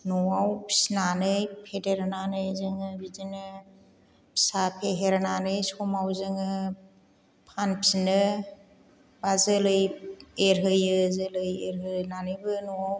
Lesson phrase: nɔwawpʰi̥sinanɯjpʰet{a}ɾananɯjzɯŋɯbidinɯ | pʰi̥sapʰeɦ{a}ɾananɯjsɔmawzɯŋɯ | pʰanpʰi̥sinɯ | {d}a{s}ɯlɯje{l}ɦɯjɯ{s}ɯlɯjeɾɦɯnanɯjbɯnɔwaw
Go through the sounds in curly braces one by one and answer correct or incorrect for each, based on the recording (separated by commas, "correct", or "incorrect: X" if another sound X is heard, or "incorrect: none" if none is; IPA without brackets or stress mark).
incorrect: e, incorrect: e, incorrect: b, incorrect: z, incorrect: ɾ, incorrect: z